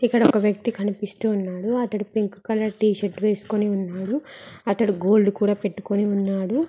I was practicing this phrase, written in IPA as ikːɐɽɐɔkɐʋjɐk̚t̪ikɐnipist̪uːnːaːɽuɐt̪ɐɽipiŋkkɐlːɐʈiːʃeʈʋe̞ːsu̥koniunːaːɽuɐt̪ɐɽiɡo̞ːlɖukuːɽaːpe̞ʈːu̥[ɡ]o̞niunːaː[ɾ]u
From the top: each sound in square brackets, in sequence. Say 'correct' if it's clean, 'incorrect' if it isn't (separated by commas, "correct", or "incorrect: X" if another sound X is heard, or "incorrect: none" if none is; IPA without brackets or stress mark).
incorrect: k, incorrect: ɽ